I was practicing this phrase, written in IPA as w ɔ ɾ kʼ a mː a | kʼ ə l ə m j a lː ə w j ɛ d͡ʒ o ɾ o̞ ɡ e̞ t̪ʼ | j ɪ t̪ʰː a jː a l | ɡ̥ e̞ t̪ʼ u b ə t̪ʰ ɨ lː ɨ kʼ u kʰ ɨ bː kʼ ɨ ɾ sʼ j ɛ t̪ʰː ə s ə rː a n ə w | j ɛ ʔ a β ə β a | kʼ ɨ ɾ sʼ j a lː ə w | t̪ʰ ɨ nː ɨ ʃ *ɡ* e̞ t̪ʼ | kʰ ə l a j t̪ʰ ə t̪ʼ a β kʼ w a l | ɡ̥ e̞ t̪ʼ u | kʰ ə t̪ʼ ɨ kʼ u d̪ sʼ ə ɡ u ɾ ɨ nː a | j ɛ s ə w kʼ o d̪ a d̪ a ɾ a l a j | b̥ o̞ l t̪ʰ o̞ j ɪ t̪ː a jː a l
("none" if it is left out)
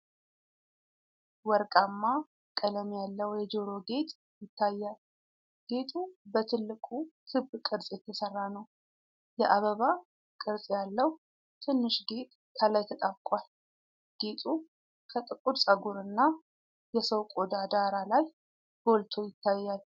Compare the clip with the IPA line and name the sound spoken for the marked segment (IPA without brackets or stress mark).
ɡ